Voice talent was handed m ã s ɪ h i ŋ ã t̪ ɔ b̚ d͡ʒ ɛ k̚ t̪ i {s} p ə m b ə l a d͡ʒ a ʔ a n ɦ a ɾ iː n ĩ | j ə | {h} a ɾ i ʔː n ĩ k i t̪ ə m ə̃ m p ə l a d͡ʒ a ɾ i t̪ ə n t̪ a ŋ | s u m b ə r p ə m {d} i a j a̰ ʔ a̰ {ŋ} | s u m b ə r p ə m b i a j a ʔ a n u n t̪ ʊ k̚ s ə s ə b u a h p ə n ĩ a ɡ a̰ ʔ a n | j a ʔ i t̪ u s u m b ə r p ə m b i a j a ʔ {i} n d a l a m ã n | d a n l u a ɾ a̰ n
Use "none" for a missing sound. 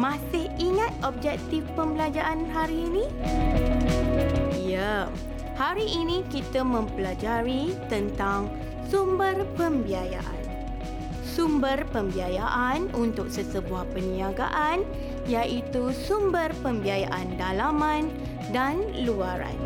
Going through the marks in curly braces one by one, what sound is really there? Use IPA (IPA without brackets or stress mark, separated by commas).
f, h, b, n, a